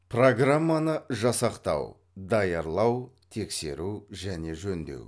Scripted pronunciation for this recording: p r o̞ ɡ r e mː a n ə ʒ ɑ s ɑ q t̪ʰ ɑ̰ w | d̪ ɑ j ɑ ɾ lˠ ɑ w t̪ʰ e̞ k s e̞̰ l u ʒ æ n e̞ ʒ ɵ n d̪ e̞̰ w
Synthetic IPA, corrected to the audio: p r o̞ ɡ r a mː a n ə ʒ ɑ s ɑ q t̪ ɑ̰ w | d̪ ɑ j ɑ ɾ lˠ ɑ w t̪ʰ e̞ k s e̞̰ ɾ u ʒ æ n e̞ ʒ ɵ n d̪ e̞̰ w